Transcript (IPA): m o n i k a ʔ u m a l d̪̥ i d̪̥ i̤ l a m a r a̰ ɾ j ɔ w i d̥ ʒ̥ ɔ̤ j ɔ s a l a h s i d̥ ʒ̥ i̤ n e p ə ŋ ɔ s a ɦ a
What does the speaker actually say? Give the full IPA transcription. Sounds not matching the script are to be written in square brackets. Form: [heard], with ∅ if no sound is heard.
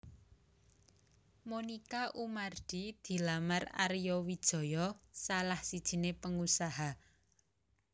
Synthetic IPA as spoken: m o n i k a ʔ u m a [r] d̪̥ i d̪̥ i̤ l a m a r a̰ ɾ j ɔ w i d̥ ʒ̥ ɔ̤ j ɔ s a l a h s i d̥ ʒ̥ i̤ n e p ə ŋ [u] s a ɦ a

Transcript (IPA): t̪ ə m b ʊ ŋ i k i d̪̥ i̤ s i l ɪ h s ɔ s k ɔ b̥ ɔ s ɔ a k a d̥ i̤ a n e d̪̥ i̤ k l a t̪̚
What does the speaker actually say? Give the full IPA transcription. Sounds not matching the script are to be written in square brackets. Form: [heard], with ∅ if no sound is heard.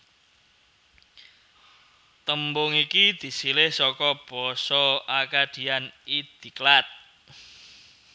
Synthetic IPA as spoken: t̪ ə m b ʊ ŋ i k i d̪̥ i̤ s i l ɪ h s ɔ [∅] k ɔ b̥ ɔ s ɔ a k a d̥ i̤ a n [i] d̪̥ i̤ k l a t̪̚

